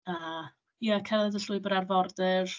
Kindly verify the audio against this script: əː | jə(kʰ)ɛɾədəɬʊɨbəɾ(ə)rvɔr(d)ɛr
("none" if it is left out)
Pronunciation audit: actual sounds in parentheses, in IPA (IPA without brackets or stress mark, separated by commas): kʰ, a, d